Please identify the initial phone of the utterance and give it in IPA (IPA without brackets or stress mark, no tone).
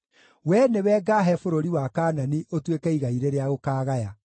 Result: w